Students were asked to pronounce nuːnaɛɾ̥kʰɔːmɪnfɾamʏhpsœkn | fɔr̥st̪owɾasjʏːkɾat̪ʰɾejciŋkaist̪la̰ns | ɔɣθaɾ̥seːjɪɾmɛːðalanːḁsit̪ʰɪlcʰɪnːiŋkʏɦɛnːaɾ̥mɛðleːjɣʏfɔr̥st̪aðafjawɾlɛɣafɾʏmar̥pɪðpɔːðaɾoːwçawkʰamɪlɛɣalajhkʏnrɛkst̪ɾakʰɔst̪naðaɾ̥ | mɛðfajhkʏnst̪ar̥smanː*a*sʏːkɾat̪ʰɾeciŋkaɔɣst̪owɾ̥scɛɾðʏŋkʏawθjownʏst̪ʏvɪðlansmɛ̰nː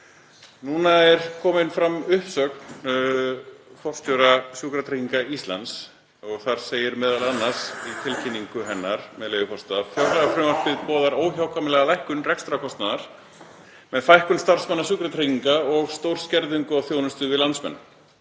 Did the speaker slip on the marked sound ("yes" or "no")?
no